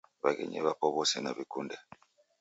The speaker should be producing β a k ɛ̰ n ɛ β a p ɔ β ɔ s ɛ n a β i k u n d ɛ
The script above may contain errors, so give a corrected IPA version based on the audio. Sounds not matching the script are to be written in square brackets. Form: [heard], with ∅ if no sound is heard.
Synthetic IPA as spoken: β a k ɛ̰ [ɲ] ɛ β a p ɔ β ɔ s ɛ n a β i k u n d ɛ